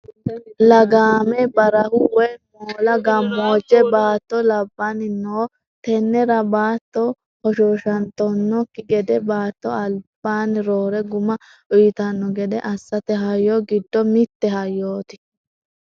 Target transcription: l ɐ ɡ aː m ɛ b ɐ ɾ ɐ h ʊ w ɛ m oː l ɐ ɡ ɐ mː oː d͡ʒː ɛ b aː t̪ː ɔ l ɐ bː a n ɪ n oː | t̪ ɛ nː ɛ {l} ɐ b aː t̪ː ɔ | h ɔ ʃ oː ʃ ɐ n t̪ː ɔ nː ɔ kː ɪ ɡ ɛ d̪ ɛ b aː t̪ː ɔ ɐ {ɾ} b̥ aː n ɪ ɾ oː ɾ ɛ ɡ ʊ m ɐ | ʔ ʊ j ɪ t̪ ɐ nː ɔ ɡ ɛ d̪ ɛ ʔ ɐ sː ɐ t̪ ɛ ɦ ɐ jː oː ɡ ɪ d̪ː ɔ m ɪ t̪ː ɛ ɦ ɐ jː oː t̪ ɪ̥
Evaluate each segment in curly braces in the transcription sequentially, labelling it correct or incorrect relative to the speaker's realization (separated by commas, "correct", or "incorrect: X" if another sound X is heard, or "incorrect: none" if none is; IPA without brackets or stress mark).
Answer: incorrect: ɾ, incorrect: l